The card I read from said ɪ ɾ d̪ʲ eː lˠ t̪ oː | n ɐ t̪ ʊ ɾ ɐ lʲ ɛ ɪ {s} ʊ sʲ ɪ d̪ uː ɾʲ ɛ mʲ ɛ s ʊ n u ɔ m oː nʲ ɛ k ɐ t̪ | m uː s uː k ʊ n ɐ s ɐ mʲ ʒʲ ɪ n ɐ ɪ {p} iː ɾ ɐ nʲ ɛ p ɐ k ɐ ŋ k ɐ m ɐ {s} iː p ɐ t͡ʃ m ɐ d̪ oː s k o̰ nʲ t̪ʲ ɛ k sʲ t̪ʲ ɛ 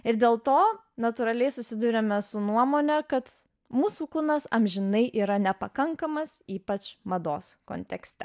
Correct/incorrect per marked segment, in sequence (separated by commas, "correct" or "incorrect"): correct, incorrect, correct